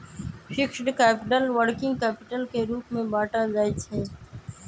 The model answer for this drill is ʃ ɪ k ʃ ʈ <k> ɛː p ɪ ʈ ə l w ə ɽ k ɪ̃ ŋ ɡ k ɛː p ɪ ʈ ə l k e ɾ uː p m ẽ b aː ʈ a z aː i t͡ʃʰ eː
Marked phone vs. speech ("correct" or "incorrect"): correct